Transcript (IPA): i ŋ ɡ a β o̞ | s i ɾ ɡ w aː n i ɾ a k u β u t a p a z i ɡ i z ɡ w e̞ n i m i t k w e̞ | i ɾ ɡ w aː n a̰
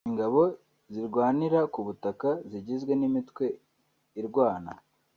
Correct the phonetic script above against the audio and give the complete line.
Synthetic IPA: i ŋ ɡ a β o̞ | z i ɾ ɡ w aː n i ɾ a k u β u t a k a z i ɟ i z ɡ w e̞ n i m i t k w e̞ | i ɾ ɡ w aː n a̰